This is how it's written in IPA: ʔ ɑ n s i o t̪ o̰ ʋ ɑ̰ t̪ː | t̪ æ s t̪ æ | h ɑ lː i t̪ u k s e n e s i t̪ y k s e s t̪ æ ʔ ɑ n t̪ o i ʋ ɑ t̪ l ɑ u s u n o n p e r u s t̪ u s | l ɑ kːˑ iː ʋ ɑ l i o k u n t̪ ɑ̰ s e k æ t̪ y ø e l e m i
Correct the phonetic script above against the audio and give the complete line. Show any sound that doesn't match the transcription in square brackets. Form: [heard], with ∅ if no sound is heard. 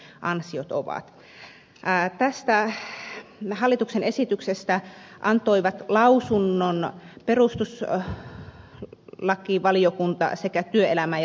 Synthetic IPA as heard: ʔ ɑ n s i o t̪ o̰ ʋ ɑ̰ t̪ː | t̪ æ s t̪ æ | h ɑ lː i t̪ u k s e n e s i t̪ y k s e s t̪ æ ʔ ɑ n t̪ o i ʋ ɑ t̪ l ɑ u s u [nː] o n p e r u s t̪ u s | l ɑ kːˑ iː ʋ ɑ l i o k u n t̪ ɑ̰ s e k æ t̪ y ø e l [æ] m [æ]